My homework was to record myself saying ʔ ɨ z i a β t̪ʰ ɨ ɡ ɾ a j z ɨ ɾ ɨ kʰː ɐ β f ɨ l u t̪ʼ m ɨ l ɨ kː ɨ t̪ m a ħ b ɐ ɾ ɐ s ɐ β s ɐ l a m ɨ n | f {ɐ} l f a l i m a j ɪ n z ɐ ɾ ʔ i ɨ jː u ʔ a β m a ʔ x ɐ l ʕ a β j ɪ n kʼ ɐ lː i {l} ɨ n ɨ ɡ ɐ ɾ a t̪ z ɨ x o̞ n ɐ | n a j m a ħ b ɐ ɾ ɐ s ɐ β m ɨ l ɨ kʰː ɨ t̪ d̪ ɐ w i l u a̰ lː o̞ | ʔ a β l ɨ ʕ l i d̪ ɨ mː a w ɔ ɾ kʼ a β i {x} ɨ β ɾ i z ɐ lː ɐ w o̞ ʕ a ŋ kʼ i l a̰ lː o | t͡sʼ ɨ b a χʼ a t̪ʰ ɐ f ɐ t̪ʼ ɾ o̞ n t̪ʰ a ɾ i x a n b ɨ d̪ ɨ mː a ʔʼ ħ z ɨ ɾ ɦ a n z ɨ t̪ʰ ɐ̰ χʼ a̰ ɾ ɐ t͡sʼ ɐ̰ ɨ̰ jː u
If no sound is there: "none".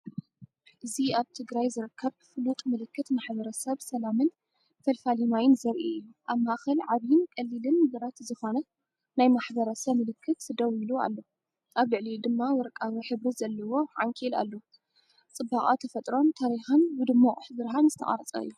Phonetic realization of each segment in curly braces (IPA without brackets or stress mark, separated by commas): ɐ, l, ħ